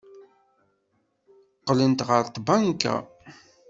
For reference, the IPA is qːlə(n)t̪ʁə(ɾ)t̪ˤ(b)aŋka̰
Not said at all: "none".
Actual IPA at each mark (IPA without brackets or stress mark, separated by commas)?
n, ɾ, b